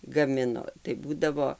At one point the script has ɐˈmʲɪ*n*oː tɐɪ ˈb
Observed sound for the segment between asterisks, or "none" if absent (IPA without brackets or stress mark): n